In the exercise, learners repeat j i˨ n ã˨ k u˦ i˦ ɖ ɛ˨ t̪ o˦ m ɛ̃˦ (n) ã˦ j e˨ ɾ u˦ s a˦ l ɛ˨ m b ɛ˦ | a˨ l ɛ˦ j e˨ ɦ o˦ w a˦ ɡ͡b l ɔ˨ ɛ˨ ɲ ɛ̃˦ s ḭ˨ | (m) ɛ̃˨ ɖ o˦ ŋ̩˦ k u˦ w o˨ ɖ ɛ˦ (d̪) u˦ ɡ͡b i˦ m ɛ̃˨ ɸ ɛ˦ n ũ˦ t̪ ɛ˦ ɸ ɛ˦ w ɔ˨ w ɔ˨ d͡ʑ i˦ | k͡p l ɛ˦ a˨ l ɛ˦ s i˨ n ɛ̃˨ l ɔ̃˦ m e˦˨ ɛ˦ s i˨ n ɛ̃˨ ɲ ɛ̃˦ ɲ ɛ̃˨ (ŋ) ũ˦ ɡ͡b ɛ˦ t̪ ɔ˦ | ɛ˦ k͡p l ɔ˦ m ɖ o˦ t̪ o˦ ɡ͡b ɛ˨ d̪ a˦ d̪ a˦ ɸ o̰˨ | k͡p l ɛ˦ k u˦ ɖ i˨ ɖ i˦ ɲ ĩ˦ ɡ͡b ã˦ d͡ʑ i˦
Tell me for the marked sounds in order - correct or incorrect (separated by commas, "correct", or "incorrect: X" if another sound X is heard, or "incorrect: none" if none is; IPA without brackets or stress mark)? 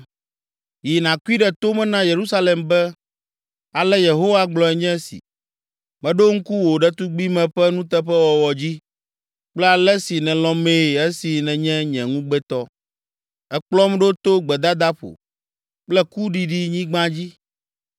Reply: correct, correct, incorrect: t̪, correct